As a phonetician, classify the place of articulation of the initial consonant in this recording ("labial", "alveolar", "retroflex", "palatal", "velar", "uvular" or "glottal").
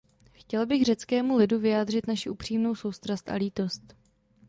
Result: velar